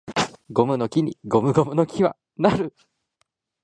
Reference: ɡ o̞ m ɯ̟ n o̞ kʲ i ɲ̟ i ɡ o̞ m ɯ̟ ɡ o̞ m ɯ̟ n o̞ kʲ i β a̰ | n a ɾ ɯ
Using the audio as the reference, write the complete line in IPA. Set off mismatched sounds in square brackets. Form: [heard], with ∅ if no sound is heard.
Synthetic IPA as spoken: ɡ o̞ m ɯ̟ n o̞ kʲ i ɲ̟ i ɡ o̞ m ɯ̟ ɡ o̞ m ɯ̟ n o̞ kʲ i β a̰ | n a ɾ ɯ